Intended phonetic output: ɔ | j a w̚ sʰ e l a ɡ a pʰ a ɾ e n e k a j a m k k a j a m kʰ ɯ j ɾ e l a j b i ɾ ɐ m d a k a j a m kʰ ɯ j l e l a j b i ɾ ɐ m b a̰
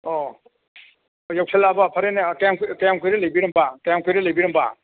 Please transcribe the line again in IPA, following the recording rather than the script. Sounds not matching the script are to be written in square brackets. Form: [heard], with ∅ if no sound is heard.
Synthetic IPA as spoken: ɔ | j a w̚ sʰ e l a [b] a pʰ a ɾ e n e k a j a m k k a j a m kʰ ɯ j ɾ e l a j b i ɾ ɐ m [b] a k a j a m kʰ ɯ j [ɾ] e l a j b i ɾ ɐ m b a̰